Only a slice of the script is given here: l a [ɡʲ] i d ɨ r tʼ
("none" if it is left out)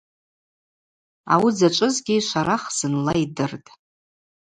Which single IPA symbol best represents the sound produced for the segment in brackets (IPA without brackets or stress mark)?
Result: none